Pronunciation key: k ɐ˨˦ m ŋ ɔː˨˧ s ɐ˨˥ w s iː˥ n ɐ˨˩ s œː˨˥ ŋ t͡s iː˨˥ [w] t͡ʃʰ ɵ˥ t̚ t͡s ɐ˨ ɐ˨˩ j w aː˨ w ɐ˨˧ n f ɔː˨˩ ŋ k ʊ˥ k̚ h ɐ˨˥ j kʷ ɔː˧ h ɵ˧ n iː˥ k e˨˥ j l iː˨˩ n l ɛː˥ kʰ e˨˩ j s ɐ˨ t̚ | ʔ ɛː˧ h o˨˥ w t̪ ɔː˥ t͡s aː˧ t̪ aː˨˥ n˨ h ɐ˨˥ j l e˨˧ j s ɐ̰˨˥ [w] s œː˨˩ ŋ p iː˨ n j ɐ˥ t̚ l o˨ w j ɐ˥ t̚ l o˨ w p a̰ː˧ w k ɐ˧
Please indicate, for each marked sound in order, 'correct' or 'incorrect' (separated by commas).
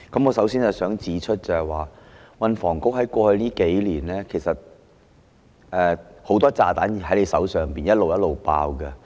incorrect, correct